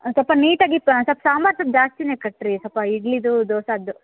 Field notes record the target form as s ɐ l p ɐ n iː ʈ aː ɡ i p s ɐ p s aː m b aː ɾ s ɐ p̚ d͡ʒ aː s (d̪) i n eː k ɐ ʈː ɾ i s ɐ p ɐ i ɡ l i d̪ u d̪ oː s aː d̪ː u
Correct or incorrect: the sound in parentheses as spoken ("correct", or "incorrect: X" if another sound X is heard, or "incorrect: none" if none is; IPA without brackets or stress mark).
incorrect: t̪